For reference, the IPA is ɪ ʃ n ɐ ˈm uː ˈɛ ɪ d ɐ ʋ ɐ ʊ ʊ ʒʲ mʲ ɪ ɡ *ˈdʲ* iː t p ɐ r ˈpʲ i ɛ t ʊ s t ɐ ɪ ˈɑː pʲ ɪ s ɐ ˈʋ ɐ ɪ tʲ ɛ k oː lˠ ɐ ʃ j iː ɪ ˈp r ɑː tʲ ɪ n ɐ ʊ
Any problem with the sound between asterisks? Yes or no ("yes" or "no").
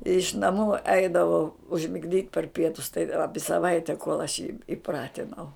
no